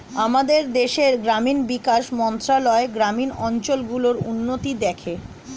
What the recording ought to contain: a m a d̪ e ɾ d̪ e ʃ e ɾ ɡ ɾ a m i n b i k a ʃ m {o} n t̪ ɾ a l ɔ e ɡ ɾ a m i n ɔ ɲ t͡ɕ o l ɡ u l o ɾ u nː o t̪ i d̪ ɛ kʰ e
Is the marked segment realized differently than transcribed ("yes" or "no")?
yes